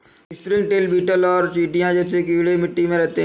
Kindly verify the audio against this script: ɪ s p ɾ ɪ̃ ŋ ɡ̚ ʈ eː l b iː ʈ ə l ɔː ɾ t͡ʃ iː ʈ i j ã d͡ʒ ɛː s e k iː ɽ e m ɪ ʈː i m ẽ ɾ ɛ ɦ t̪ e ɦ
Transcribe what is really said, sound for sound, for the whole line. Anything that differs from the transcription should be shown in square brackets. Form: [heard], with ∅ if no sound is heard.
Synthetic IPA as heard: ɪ s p ɾ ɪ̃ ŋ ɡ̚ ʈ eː l b iː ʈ ə l ɔː ɾ t͡ʃ iː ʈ i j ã d͡ʒ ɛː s e k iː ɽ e m ɪ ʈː i m ẽ ɾ ɛ ɦ t̪ e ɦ